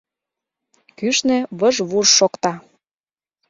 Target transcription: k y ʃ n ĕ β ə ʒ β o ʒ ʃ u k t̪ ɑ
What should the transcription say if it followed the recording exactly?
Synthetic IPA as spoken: k y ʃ n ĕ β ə ʒ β u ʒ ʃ o k t̪ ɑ